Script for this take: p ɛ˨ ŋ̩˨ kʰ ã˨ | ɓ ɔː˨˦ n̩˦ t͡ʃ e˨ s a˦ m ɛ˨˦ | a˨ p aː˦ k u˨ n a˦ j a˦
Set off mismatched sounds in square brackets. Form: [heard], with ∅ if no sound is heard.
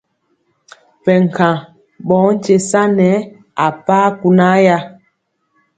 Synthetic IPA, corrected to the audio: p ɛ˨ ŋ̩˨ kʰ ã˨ | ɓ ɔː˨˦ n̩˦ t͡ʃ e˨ s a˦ [n] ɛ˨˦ | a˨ p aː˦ k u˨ n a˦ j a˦